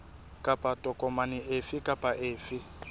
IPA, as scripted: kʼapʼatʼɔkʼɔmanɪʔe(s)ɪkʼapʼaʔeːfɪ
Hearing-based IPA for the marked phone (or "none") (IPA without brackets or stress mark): f